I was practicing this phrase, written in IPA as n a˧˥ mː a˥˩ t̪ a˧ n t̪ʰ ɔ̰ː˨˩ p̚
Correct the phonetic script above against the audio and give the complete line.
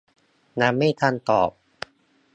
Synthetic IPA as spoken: n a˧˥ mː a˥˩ t̪ʰ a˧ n t̪ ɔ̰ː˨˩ p̚